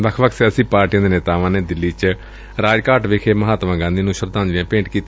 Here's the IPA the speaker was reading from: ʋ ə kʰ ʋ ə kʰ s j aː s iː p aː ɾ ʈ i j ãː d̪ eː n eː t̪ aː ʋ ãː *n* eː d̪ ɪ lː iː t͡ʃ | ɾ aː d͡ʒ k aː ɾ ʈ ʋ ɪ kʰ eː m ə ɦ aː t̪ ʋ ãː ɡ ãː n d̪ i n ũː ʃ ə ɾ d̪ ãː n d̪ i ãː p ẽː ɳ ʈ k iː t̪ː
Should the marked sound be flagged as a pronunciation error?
no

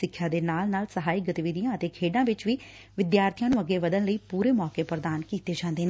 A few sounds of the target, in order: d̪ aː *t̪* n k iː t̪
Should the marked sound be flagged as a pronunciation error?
yes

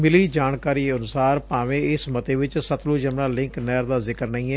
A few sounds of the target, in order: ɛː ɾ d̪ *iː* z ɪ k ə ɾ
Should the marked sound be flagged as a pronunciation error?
yes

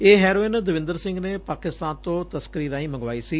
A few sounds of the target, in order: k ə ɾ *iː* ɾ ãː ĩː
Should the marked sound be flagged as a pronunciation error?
no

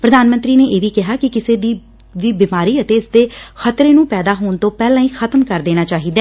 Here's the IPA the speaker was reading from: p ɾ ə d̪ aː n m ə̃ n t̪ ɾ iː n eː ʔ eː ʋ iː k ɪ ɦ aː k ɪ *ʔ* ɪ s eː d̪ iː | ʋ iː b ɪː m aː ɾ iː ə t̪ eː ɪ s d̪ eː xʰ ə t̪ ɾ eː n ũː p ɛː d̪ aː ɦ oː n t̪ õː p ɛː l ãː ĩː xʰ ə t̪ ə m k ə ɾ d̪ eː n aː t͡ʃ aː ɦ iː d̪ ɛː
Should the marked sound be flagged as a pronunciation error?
yes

